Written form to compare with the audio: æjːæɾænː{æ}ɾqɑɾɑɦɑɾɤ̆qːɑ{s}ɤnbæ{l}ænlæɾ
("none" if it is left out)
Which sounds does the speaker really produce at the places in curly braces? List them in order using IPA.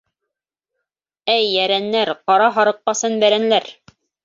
æ, s, ɾ

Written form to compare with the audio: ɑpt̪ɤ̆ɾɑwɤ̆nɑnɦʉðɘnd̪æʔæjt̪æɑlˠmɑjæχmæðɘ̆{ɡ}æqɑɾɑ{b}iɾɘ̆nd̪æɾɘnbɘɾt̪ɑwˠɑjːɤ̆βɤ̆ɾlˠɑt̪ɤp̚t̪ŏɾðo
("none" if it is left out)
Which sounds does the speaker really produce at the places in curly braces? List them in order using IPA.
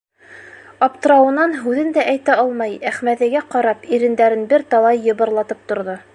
ɡ, p

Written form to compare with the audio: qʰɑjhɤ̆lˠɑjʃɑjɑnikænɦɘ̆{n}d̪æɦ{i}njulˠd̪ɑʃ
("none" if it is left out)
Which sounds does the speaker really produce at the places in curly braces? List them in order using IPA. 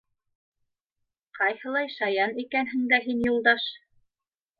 ŋ, i

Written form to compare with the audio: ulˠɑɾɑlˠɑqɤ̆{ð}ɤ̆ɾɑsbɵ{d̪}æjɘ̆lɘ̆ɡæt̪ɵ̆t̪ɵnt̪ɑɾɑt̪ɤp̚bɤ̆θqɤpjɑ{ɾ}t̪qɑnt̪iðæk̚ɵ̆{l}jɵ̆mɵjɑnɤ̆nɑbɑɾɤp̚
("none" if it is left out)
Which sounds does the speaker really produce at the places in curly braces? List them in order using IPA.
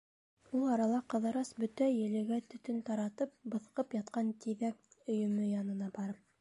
ð, t̪, none, none

